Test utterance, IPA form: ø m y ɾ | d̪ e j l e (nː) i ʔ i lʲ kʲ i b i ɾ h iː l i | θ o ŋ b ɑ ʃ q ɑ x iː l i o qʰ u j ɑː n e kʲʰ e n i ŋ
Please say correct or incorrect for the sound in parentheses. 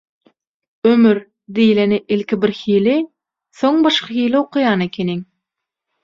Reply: incorrect